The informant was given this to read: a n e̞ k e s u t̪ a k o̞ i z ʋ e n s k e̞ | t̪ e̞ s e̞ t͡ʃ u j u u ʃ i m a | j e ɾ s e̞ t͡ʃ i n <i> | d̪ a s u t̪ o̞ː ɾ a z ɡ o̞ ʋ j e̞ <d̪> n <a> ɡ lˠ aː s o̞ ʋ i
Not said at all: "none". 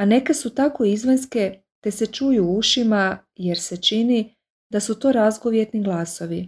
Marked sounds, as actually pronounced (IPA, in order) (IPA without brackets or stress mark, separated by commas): i, t̪, i